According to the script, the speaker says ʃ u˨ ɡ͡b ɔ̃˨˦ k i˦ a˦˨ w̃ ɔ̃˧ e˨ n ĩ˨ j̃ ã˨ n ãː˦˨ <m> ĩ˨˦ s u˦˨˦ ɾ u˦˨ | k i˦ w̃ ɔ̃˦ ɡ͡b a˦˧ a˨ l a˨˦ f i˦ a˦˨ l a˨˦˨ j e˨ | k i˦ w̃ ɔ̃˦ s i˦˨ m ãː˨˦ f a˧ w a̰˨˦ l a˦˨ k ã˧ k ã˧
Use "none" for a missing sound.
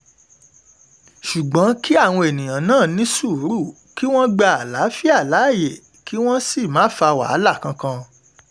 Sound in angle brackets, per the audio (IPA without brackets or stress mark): n